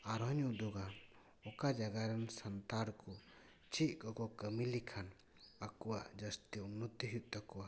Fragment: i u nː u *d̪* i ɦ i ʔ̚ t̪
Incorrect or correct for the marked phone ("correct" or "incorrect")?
incorrect